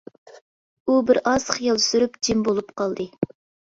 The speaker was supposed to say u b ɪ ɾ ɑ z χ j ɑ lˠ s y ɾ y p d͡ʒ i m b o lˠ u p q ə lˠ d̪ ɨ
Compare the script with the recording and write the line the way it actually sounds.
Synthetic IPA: u b ɪ ɾ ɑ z χ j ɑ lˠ s y ɾ y p d͡ʒ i m b o lˠ u p q ɑ lˠ d̪ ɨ